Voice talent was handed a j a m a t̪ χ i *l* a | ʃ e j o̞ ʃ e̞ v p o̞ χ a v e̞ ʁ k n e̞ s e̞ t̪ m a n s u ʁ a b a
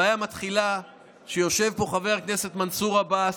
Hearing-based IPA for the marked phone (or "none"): l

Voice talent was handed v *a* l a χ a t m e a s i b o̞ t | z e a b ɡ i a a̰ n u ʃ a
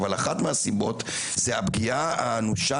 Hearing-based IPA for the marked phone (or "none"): a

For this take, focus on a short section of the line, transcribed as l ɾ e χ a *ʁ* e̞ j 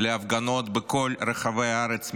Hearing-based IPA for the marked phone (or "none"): v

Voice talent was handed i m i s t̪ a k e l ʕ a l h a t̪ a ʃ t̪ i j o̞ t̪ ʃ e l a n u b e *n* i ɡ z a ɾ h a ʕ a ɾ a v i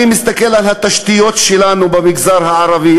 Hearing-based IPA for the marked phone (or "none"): m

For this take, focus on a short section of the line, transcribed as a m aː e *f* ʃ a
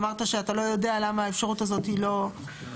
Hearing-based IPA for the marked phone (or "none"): f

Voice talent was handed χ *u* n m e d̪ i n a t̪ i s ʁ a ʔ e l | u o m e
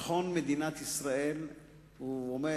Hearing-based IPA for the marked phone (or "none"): o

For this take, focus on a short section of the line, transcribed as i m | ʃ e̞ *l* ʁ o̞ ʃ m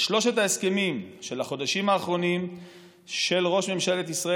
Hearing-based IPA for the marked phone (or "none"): l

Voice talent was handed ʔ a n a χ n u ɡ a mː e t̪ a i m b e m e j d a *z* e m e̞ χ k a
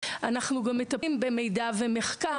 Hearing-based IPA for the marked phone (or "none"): v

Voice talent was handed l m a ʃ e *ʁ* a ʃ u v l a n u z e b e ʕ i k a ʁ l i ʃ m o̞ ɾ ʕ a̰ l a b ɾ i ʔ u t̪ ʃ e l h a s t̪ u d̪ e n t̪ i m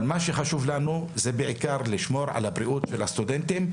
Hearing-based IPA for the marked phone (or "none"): χ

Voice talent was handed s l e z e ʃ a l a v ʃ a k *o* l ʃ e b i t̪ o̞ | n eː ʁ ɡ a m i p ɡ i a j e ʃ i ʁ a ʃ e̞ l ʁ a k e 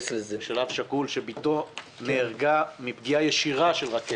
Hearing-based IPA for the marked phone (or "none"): u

